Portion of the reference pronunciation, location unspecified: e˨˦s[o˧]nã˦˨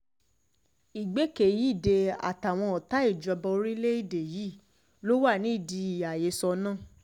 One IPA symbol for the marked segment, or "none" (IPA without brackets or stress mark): ɔ˧